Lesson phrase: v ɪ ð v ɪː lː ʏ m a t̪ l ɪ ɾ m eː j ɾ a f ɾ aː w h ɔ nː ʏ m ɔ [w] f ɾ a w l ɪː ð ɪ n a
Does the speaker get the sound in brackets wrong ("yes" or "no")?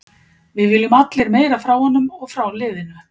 yes